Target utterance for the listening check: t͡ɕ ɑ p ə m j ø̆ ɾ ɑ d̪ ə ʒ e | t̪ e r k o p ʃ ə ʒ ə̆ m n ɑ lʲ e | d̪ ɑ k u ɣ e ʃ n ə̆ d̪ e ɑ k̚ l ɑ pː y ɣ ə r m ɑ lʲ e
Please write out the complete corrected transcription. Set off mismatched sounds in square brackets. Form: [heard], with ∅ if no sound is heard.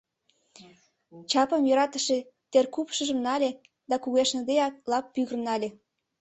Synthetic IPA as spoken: t͡ɕ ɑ p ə m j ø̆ ɾ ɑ [t̪] ə [ʃ] e | t̪ e r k [u] p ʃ ə ʒ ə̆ m n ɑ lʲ e | d̪ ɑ k u ɣ e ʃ n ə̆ d̪ e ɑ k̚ l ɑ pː y ɣ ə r [n] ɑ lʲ e